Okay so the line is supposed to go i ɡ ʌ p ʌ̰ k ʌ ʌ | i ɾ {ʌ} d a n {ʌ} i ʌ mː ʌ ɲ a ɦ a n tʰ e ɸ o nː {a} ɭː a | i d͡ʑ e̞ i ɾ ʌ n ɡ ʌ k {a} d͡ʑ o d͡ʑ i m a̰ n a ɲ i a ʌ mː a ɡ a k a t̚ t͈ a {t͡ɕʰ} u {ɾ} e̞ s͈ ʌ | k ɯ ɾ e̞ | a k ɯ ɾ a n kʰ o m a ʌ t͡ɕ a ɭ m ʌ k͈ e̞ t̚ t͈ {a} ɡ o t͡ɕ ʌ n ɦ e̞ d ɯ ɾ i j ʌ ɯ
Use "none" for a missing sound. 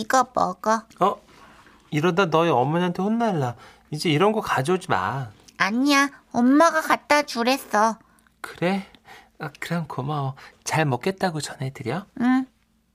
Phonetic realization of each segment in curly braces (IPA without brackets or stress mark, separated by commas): ʌ, ʌ, a, a, t͡ɕ, ɾ, a